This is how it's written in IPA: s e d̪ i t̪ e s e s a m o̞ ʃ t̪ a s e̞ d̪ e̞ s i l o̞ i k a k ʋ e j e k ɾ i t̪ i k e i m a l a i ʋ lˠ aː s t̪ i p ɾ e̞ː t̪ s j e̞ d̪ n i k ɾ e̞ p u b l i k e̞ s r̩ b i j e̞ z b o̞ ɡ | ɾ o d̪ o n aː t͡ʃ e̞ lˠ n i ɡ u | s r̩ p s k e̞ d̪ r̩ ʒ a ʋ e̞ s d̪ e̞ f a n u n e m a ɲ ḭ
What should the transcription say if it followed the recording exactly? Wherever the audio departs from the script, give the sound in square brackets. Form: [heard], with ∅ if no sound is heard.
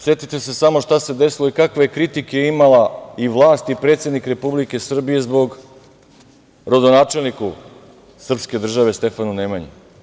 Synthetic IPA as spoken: s e [t̪] i t̪ e s e s a m o̞ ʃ t̪ a s e̞ d̪ e̞ s i l o̞ i k a k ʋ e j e k ɾ i t̪ i k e i m a l a i ʋ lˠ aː s t̪ i p ɾ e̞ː t̪ s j e̞ d̪ n i k ɾ e̞ p u b l i k e̞ s r̩ b i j e̞ z b o̞ ɡ | ɾ o d̪ o n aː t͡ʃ e̞ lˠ n i [k] u | s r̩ p s k e̞ d̪ r̩ ʒ a ʋ e̞ s [t̪] e̞ f a n u n e m a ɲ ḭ